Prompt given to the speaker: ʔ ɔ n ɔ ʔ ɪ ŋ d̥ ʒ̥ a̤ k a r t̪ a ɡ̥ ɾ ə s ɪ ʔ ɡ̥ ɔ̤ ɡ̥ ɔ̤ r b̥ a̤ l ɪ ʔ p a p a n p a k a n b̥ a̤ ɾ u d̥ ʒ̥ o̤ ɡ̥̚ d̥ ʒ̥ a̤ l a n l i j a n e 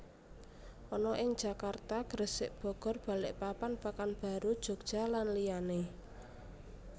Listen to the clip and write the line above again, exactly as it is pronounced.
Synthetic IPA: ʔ ɔ n ɔ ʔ ɪ ŋ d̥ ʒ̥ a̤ k a r t̪ a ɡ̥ ɾ ə s ɪ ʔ b̥ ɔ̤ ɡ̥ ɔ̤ r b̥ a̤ l ɪ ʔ p a p a n p a k a n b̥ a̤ ɾ u d̥ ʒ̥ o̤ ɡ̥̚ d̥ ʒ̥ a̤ l a n l i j a n e